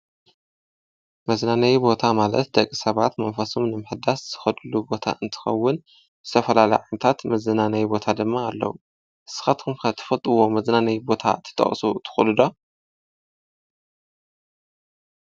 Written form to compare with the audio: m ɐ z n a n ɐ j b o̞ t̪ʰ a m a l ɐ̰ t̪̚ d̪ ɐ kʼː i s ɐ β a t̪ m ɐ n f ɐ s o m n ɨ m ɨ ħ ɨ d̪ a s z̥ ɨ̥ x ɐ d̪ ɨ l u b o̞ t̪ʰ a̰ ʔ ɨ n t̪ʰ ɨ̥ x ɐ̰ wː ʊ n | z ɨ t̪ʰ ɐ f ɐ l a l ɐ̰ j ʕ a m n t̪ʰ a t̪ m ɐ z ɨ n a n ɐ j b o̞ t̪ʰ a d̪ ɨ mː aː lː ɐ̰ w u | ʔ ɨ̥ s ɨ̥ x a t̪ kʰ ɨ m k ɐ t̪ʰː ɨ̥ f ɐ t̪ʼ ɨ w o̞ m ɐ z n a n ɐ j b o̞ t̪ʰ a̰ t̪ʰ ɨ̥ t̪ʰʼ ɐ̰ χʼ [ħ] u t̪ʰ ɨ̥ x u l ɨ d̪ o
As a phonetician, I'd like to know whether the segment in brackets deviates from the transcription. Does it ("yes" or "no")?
yes